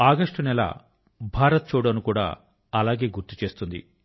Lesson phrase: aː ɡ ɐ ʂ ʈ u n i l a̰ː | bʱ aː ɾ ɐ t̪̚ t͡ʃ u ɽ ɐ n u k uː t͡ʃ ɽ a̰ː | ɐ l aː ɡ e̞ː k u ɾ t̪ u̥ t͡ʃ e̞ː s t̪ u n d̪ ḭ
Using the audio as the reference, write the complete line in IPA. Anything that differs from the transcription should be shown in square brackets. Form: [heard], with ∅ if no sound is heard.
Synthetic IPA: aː ɡ ɐ ʂ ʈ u n [ɛ] l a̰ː | bʱ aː ɾ ɐ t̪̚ t͡ʃ [uː] ɽ ɐ n u k uː [∅] ɽ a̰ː | ɐ l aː ɡ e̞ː [ɡ] u ɾ t̪ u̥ t͡ʃ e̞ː s t̪ u n d̪ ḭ